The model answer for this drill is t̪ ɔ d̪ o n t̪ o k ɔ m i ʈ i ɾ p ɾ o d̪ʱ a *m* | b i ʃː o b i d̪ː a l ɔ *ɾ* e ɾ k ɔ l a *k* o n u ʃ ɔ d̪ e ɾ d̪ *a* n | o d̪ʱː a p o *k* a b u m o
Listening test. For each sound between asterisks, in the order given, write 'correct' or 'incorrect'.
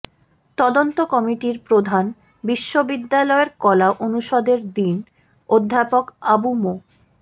incorrect, incorrect, incorrect, incorrect, correct

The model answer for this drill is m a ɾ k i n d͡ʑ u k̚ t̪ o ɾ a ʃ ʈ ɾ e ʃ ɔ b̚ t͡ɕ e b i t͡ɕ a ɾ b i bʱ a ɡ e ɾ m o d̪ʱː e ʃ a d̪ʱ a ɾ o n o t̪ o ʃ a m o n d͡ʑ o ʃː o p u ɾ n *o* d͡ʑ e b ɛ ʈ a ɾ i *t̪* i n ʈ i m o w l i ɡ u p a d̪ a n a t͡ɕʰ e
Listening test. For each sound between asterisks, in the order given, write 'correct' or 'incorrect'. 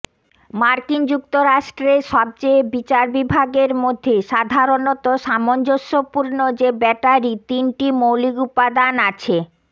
correct, correct

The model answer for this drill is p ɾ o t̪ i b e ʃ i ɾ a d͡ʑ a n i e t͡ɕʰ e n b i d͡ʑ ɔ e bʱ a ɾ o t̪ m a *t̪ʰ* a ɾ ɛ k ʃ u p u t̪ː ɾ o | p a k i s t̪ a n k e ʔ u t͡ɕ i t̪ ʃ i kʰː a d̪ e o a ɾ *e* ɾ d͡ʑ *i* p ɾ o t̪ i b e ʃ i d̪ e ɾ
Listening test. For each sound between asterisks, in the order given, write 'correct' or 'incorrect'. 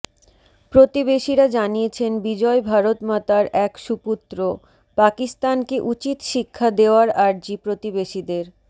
incorrect, incorrect, correct

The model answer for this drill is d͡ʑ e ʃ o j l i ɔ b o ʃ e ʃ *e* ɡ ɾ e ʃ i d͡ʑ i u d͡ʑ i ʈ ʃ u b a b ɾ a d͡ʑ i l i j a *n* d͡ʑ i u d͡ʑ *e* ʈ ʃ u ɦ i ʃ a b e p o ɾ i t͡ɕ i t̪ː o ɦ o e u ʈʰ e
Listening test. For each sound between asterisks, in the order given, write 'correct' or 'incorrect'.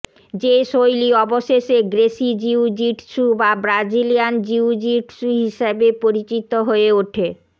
correct, correct, incorrect

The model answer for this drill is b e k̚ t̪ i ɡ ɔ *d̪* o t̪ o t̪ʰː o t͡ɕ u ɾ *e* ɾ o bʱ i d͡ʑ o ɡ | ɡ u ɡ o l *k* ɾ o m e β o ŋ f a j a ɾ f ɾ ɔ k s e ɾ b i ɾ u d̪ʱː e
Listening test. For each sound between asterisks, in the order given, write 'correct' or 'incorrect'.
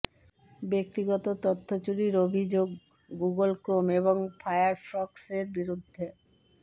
incorrect, incorrect, correct

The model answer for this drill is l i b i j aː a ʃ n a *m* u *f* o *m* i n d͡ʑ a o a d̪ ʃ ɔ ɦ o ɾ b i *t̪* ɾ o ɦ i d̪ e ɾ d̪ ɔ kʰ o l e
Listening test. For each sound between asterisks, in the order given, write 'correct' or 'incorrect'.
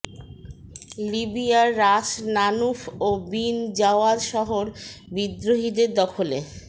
incorrect, correct, incorrect, incorrect

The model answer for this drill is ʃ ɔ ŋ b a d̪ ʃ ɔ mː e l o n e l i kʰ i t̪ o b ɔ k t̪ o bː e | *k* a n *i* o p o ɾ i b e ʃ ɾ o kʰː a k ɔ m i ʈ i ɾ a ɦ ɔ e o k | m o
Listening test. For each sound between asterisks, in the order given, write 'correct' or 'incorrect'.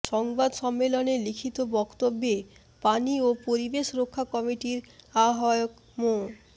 incorrect, correct

